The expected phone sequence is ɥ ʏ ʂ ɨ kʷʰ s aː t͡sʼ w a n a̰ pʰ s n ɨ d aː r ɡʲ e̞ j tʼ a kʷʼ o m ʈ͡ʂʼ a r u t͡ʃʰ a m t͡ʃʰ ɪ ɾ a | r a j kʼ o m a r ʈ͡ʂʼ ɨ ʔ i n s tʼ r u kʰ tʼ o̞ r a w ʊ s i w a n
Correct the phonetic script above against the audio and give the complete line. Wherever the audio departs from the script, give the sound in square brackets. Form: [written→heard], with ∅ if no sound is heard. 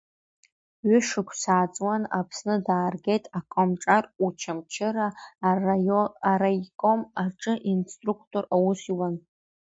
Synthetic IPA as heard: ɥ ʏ ʂ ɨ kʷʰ s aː t͡sʼ w a n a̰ pʰ s n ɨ d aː r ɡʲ e̞ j tʼ a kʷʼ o m ʈ͡ʂʼ a r u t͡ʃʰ a m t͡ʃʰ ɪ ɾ a | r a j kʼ o m a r ʈ͡ʂʼ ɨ ʔ i n s tʼ r u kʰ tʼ o̞ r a w ʊ s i w a n